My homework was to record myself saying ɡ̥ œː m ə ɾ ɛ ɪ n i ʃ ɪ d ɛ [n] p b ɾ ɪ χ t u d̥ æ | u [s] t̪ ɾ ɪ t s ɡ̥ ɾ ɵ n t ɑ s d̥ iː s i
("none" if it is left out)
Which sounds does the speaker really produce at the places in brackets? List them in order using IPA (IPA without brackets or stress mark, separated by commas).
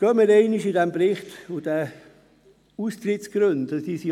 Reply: m, s